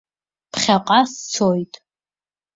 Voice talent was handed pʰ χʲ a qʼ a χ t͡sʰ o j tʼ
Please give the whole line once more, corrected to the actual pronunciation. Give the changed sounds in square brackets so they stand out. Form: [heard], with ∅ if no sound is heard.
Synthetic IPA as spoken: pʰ χʲ a qʼ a [s] t͡sʰ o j tʼ

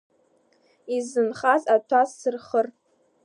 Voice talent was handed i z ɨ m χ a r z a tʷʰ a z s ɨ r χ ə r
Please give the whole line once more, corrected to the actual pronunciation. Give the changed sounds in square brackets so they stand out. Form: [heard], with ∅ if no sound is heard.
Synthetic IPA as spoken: i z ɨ [n] χ a [∅] z a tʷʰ a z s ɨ r χ ə r

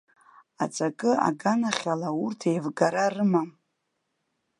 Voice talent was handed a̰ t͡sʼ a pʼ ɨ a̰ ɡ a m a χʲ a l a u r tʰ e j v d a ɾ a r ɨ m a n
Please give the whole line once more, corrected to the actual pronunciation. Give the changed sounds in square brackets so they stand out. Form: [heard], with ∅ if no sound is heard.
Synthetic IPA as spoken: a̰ t͡sʼ a [kʼ] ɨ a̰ ɡ a [n] a χʲ a l a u r tʰ e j v [ɡ] a ɾ a r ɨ m a [m]

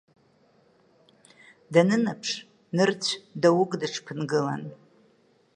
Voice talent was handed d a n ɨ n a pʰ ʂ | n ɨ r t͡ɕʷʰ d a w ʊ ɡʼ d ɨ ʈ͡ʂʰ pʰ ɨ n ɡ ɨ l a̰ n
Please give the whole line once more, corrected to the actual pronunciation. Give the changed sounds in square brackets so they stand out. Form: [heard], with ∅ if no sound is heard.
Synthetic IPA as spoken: d a n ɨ n a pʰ ʂ | n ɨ r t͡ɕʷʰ d a w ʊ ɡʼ d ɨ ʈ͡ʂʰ pʰ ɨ n ɡ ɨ l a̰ n

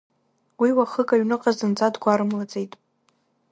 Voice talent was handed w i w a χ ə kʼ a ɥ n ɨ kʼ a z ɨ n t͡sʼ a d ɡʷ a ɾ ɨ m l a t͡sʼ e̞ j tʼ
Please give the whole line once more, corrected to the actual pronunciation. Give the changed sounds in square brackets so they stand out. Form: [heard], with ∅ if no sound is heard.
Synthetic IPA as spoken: w i w a χ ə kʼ a ɥ n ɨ [qʼ] a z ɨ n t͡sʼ a d ɡʷ a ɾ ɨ m l a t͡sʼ e̞ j tʼ

